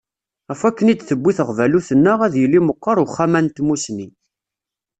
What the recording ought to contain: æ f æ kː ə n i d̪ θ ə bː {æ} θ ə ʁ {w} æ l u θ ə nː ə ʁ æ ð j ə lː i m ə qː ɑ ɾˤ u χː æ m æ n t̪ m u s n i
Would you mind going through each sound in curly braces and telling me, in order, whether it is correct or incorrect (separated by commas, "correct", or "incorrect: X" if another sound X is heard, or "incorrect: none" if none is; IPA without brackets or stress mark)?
incorrect: i, incorrect: v